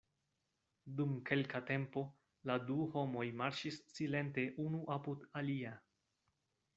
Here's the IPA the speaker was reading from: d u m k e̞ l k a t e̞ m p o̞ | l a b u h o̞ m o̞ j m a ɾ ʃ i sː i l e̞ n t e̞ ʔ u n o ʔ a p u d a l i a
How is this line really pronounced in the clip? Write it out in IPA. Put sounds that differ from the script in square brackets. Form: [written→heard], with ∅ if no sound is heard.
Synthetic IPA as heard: d u m k e̞ l k a t e̞ m p o̞ | l a [b→d] u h o̞ m o̞ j m a ɾ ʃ i sː i l e̞ n t e̞ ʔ u n [o→u] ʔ a p u d a l i a